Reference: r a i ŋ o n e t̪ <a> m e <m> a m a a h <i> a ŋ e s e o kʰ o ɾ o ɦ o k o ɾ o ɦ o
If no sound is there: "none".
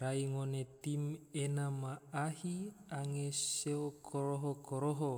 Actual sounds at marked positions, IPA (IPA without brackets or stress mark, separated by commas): i, n, i